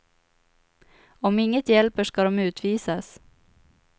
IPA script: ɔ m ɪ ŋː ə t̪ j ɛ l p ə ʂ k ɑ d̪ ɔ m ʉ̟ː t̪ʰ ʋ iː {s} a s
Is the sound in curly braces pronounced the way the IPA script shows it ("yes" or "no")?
yes